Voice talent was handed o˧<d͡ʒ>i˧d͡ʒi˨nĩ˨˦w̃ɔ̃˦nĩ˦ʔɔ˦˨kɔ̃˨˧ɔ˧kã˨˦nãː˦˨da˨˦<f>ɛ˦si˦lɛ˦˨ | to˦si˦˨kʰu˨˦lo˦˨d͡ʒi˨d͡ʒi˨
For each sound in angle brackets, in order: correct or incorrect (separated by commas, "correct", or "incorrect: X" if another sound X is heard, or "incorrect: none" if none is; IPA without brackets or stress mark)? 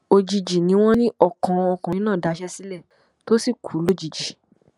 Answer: correct, incorrect: ʃ